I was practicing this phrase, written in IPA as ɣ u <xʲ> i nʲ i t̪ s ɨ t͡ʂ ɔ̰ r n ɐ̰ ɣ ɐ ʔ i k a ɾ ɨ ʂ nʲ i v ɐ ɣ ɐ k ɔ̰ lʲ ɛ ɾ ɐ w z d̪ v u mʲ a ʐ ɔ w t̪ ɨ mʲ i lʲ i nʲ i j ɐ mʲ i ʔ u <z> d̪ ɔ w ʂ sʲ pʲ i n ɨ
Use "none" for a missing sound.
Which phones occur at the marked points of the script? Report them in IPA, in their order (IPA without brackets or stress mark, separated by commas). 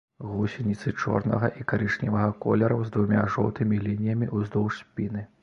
sʲ, z